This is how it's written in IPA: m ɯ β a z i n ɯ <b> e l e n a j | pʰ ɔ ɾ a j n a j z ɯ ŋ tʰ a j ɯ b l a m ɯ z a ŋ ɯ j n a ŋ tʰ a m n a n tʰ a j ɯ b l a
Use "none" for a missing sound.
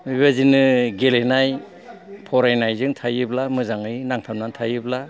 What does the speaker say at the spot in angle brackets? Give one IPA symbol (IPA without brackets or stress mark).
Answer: ɡ